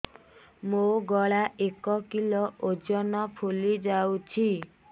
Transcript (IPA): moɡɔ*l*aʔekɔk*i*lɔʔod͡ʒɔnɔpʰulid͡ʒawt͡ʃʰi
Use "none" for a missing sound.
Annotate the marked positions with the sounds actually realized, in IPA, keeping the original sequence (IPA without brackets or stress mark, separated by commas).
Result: ɭ, i